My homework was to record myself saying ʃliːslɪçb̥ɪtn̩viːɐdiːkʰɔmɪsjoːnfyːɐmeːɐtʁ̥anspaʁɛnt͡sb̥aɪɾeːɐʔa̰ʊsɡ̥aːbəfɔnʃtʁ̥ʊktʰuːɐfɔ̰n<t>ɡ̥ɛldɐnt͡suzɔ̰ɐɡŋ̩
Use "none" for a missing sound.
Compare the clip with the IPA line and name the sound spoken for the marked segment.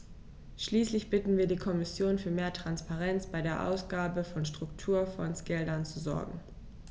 s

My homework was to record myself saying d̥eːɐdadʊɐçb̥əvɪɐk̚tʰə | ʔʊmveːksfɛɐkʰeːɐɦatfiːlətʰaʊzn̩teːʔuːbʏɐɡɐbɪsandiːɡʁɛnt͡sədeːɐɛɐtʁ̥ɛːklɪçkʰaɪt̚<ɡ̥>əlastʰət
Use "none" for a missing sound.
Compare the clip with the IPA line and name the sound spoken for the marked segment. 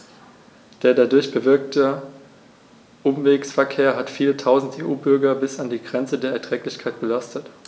b̥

